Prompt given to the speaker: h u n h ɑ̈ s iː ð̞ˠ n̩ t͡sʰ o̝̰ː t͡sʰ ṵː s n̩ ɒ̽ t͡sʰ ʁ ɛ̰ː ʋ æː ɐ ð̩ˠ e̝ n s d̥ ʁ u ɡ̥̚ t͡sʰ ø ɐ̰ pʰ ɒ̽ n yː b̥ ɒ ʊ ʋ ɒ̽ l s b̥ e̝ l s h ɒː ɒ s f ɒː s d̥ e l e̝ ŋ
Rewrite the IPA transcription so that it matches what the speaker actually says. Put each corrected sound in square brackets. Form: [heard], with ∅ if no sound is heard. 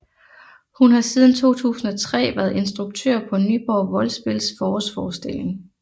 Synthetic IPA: h u n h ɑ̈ s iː ð̞ˠ n̩ t͡sʰ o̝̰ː t͡sʰ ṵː s n̩ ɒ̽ t͡sʰ ʁ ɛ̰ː ʋ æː ɐ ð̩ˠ e̝ n s d̥ ʁ u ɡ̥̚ t͡sʰ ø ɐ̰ pʰ ɒ̽ n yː b̥ ɒ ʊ ʋ ɒ̽ l s b̥ e̝ l s [f] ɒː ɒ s f ɒː s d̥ e l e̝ ŋ